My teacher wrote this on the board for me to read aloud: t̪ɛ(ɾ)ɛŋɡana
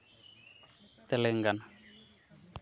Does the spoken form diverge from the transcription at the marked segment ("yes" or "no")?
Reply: yes